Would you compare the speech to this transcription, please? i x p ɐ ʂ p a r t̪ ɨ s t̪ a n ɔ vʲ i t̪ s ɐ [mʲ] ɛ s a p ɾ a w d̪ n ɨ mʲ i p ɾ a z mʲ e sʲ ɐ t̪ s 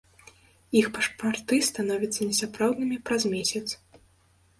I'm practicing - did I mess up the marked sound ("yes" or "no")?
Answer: yes